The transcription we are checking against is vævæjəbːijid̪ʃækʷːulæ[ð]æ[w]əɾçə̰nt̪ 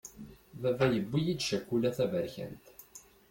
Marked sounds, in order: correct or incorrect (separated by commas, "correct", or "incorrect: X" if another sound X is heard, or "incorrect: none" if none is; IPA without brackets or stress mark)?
incorrect: θ, incorrect: v